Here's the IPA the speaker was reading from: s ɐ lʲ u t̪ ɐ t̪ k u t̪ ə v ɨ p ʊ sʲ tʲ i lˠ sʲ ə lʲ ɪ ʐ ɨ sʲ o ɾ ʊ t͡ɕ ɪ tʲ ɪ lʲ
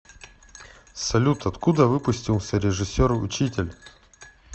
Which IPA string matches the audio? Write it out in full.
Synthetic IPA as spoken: s ɐ lʲ u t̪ ɐ t̪ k u d̪ ə v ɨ p ʊ sʲ tʲ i lˠ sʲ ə ɾʲ ɪ ʐ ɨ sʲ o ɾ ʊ t͡ɕ i tʲ ɪ lʲ

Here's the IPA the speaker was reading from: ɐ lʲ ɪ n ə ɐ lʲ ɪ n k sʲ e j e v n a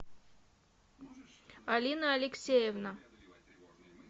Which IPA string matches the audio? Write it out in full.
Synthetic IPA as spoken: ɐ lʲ i n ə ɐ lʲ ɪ k sʲ e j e v n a

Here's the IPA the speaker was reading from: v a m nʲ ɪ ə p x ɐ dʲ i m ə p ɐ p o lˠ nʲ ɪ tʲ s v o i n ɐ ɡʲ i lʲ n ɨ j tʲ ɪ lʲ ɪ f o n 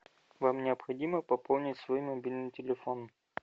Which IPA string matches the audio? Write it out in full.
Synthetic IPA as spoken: v a m nʲ ɪ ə p x ɐ dʲ i m ə p ɐ p o lˠ nʲ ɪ tʲ s v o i m ɐ bʲ i lʲ n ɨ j tʲ ɪ lʲ ɪ f o n

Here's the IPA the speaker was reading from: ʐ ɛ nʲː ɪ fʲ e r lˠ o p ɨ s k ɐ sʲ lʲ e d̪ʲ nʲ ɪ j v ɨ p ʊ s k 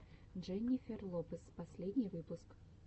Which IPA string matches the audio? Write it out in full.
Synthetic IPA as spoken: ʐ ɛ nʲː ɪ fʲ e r lˠ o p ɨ s p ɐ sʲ lʲ e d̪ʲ nʲ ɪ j v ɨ p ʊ s k

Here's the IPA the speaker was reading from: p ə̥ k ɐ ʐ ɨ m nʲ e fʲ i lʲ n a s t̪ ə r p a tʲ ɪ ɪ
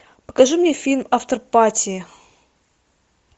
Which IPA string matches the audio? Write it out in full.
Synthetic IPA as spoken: p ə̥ k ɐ ʐ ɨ m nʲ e fʲ i lʲ m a f t̪ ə r p a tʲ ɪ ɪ

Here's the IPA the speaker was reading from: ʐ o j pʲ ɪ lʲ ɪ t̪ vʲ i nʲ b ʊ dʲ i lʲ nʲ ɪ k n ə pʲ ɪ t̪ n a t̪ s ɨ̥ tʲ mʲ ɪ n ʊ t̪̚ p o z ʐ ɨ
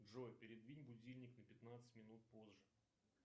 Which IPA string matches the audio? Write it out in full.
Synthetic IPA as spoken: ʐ o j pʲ ɪ ɾʲ ɪ d̪ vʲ i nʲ b ʊ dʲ i lʲ nʲ ɪ k n ə pʲ ɪ t̪ n a t̪ s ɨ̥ tʲ mʲ ɪ n u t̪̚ p o z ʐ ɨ

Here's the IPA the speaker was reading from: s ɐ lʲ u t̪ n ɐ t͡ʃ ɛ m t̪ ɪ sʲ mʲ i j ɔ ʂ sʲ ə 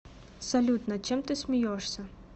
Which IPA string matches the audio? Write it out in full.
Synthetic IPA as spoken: s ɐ lʲ u t̪ n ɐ t͡ʃ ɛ m t̪ ɪ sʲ mʲ i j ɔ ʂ sʲ ɐ

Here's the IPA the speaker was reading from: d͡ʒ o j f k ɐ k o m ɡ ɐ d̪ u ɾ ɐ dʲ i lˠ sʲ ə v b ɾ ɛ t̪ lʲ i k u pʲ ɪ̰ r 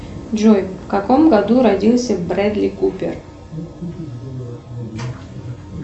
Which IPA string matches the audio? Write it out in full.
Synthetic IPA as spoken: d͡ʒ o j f k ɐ k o m ɡ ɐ d̪ u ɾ ɐ dʲ i lˠ sʲ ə v b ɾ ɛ d̪ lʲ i k u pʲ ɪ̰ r

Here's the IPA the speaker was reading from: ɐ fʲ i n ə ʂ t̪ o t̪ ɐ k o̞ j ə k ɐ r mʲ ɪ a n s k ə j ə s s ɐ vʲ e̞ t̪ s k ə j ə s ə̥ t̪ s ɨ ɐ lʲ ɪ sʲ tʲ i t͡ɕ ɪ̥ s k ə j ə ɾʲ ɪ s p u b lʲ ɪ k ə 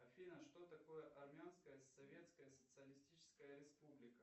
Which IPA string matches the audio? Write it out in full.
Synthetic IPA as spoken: ɐ fʲ i n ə ʂ t̪ o t̪ ɐ k o̞ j ə ʔ ɐ r mʲ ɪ a n s k ə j ə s s ɐ vʲ e̞ t̪ s k ə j ə s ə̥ t̪ s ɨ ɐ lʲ ɪ sʲ tʲ i t͡ɕ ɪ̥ s k ə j ə ɾʲ ɪ s p u b lʲ ɪ k ə

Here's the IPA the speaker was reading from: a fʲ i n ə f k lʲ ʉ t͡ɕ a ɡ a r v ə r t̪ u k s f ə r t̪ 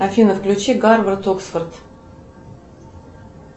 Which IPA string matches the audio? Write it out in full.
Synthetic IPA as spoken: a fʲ i n ə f k lʲ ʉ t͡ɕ i ɡ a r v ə r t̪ o k s f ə r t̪

